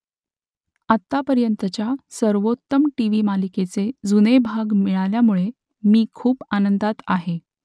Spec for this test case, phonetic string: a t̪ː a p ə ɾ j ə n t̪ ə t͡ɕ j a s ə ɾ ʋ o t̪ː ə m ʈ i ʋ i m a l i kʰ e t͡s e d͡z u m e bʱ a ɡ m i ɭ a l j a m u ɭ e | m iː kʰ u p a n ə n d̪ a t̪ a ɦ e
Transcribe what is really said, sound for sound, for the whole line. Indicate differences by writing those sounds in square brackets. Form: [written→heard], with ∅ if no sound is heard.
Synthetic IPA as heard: a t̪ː a p ə ɾ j ə n t̪ ə t͡ɕ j a s ə ɾ ʋ o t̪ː ə m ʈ i ʋ i m a l i [kʰ→k] e t͡s e d͡z u [m→n] e bʱ a ɡ m i ɭ a l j a m u ɭ e | m iː kʰ [u→uː] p a n ə n d̪ a t̪ a ɦ e

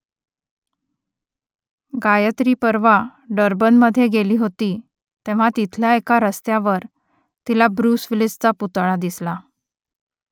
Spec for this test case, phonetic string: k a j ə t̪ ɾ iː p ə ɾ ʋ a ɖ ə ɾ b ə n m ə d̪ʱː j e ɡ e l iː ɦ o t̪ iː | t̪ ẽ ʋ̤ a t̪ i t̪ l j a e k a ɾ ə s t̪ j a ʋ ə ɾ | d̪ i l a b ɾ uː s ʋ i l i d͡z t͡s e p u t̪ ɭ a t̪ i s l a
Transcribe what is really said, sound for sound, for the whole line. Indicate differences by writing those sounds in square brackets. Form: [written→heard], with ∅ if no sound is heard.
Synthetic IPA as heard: [k→ɡ] a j ə t̪ ɾ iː p ə ɾ ʋ a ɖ ə ɾ b ə n m ə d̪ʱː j e ɡ e l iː ɦ o t̪ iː | t̪ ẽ ʋ̤ a t̪ i [t̪→t̪ʰ] l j a e k a ɾ ə s t̪ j a ʋ ə ɾ | [d̪→t̪] i l a b ɾ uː s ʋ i l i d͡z t͡s [e→a] p u t̪ ɭ a [t̪→d̪] i s l a

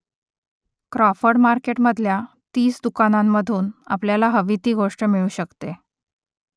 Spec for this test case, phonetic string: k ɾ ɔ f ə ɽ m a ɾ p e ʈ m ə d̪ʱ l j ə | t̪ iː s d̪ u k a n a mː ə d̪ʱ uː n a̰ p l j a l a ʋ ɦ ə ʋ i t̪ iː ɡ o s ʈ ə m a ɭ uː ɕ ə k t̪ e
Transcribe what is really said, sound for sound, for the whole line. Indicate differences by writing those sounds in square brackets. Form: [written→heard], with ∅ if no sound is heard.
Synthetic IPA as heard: k ɾ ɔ f ə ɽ m a ɾ [p→k] e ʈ m ə d̪ʱ l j [ə→a] | t̪ iː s d̪ u k a n a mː ə d̪ʱ uː n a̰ p l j a l a [ʋ→∅] ɦ ə ʋ i t̪ iː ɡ o [s→ʂ] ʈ ə m [a→i] ɭ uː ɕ ə k t̪ e

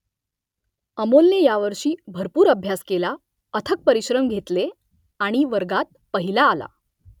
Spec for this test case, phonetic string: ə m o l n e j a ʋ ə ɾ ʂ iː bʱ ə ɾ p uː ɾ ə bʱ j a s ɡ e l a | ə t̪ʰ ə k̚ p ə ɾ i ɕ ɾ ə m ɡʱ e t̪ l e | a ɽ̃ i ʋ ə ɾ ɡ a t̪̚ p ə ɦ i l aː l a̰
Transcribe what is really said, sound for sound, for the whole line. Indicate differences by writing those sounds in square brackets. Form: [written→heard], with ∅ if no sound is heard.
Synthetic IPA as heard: ə m o l n e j a ʋ ə ɾ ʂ iː bʱ ə ɾ p uː ɾ ə bʱ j a s [ɡ→k] e l a | ə t̪ʰ ə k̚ p ə ɾ i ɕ ɾ ə m ɡʱ e t̪ l e | a ɽ̃ i ʋ ə ɾ ɡ a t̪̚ p ə ɦ i l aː l a̰

